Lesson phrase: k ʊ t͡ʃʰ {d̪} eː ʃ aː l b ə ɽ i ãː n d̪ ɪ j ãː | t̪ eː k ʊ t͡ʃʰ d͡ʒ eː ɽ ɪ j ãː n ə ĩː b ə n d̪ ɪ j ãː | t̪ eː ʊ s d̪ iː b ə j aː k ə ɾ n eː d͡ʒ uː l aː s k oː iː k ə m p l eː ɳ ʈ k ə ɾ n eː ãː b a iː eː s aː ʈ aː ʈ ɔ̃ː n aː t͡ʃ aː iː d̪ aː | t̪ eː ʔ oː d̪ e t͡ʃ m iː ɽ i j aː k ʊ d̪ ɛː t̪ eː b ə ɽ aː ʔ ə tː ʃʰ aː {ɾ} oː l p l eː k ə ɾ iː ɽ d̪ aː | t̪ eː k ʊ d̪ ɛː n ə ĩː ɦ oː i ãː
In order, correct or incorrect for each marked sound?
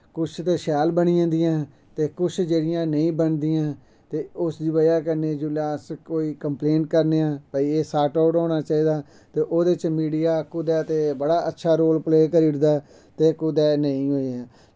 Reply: incorrect: t̪, correct

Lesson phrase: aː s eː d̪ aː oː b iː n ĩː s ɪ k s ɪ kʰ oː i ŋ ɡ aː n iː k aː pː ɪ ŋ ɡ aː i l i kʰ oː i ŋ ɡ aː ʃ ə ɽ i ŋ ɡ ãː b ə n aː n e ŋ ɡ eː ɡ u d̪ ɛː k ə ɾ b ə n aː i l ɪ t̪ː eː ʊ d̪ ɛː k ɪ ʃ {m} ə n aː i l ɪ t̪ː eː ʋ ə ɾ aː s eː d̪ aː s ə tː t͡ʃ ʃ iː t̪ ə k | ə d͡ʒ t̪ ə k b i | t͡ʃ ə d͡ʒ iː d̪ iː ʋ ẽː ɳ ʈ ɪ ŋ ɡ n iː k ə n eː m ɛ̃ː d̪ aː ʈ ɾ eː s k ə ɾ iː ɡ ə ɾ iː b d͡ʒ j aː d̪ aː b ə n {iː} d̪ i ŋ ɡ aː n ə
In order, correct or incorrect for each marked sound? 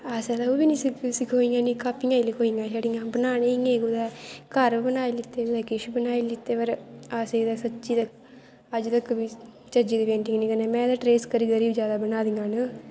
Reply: incorrect: b, incorrect: aː

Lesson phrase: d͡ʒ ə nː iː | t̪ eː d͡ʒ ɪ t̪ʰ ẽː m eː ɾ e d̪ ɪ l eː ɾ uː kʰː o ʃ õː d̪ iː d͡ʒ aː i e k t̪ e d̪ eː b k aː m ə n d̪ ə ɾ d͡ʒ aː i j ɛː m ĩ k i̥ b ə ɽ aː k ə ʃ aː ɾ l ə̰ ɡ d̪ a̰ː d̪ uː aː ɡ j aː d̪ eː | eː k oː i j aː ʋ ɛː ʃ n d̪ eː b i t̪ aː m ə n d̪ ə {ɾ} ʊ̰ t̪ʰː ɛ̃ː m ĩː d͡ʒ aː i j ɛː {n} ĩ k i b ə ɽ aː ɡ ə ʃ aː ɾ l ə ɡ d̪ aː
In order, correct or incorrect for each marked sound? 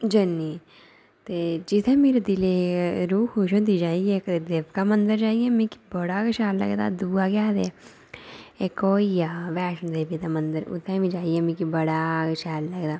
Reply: correct, incorrect: m

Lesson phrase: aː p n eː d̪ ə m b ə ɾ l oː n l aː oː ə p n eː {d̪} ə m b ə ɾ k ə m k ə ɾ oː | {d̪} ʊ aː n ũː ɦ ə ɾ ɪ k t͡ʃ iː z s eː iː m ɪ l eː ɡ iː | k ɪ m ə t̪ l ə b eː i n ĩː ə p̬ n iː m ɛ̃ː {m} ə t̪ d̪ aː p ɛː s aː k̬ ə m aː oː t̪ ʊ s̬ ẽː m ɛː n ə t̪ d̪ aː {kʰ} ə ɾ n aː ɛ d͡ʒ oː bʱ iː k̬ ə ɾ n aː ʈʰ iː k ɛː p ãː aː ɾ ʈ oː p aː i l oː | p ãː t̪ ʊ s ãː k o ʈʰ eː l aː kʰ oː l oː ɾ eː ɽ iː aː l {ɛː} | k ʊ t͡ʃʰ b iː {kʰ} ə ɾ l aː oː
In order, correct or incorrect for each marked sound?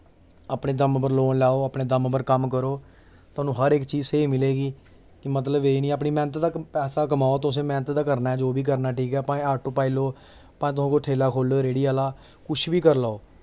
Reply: correct, incorrect: t̪, incorrect: n, incorrect: k, incorrect: aː, incorrect: k

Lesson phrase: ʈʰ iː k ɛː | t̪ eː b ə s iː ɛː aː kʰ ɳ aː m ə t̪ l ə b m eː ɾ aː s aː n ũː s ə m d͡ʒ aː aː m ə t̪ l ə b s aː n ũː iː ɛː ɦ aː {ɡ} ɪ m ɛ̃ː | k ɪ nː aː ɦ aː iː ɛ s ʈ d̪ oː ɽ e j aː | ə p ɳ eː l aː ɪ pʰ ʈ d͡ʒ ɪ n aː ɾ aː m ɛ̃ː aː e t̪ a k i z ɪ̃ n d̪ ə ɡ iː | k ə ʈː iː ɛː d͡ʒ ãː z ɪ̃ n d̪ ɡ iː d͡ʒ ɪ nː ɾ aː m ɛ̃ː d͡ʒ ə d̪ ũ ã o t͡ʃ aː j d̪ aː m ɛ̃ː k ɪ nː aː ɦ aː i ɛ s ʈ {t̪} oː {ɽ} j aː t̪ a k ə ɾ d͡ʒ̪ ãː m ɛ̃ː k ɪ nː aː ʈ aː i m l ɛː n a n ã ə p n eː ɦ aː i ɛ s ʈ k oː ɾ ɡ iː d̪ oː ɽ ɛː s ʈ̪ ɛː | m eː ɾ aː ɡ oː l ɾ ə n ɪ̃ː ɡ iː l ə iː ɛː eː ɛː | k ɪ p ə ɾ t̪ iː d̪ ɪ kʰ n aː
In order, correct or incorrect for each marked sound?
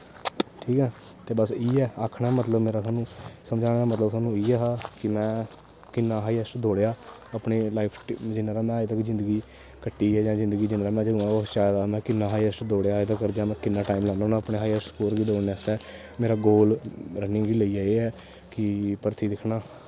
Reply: incorrect: k, incorrect: d̪, correct

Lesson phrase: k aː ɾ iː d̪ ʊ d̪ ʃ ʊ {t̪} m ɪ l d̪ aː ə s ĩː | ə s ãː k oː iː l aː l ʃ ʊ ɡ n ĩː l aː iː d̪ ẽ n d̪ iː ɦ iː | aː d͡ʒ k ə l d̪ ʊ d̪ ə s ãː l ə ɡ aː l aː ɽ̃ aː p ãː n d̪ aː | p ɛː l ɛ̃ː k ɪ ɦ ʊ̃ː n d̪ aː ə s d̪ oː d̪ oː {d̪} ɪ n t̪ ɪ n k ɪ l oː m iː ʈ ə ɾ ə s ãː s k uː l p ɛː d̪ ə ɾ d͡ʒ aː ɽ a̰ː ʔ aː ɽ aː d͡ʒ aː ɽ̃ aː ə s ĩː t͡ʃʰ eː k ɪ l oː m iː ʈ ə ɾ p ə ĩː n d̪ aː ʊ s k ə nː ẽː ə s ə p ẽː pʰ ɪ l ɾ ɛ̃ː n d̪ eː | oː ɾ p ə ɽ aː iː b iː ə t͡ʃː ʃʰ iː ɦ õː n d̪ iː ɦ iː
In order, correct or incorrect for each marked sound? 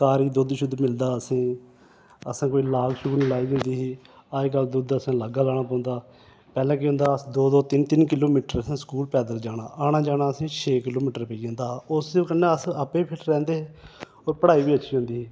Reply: incorrect: d̪, incorrect: t̪

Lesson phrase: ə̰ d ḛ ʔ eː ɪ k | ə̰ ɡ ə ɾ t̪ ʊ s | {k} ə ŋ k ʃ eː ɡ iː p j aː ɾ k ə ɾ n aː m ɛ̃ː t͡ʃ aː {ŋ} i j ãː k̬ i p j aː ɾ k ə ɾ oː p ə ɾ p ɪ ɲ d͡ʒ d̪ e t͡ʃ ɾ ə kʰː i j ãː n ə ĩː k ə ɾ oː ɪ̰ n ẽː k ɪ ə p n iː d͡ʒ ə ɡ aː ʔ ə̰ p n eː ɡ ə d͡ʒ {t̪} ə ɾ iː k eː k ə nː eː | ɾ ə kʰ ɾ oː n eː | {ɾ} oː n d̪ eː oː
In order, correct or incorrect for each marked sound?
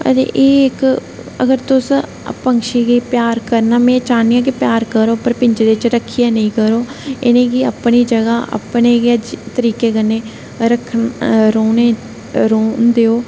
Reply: incorrect: p, incorrect: n, correct, correct

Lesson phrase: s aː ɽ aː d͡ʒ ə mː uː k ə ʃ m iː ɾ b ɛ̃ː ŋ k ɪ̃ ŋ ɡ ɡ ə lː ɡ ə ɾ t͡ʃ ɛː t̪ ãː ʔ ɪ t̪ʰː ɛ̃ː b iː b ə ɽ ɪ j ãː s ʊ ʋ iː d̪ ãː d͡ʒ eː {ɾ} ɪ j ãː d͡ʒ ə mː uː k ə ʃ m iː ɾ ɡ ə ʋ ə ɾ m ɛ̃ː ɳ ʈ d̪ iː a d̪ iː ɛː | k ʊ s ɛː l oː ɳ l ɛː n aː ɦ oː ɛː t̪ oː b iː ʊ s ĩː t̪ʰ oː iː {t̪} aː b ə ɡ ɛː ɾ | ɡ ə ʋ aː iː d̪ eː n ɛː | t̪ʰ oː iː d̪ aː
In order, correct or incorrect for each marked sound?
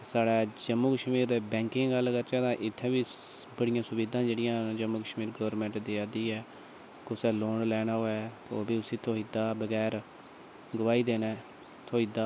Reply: incorrect: ɽ, incorrect: d̪

